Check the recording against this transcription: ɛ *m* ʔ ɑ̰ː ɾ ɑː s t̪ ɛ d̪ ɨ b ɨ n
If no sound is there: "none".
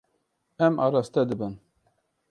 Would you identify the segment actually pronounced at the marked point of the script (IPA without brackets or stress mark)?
m